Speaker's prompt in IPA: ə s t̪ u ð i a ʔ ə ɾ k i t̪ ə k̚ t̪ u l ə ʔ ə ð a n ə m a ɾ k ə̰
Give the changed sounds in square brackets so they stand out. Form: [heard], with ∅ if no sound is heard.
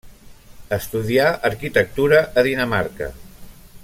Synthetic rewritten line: ə s t̪ u ð i a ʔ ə ɾ k i t̪ ə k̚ t̪ u [ɾ] ə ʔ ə ð [i] n ə m a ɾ k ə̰